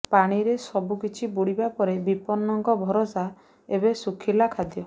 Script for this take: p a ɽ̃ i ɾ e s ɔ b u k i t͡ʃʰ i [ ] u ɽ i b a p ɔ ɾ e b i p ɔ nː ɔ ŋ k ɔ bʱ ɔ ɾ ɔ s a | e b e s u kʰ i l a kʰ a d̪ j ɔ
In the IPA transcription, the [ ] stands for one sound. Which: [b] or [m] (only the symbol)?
b